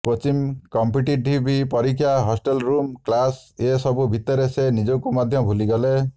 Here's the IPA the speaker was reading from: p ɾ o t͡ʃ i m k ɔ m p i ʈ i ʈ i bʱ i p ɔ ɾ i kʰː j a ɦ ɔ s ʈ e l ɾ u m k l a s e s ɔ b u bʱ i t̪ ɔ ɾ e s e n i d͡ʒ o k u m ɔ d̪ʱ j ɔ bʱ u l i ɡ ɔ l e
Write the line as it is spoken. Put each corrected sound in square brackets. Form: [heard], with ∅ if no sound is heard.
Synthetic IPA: p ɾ o t͡ʃ i m k ɔ m p i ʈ i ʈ i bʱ i p ɔ ɾ i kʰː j a ɦ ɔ s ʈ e l ɾ u m k l a s e s ɔ b u bʱ i t̪ ɔ ɾ e s e n i d͡ʒ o k u m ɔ d̪ʱ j ɔ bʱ u l i ɡ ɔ l e